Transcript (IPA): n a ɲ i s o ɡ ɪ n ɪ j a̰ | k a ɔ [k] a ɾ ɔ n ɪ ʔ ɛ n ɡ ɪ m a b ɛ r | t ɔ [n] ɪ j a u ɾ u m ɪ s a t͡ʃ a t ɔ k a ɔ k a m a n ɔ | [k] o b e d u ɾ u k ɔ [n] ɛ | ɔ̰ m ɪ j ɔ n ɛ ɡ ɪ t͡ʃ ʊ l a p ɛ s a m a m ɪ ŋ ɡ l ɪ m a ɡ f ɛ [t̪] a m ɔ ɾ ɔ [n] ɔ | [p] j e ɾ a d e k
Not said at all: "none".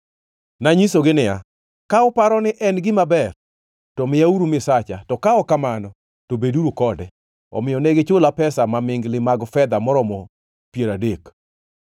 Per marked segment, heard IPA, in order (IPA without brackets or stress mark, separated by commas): p, m, t, d, d̪, m, p